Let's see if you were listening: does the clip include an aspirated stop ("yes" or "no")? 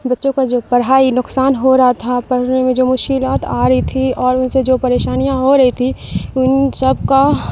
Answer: yes